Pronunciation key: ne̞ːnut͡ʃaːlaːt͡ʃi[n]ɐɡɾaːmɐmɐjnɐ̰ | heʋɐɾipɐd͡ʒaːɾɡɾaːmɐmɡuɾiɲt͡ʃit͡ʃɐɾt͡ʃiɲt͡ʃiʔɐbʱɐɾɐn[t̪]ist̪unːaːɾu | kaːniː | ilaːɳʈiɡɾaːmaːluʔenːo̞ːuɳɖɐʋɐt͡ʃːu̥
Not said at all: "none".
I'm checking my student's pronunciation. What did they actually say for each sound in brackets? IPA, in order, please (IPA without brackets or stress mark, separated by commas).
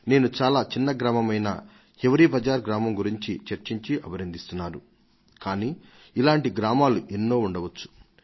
nː, d̪